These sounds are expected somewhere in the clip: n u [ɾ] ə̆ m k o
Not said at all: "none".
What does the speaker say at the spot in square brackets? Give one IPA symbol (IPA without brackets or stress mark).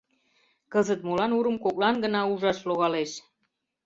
ɾ